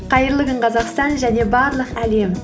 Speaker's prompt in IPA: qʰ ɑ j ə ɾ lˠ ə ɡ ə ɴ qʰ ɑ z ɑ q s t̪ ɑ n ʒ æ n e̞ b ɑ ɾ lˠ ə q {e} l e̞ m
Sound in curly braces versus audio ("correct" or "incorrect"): incorrect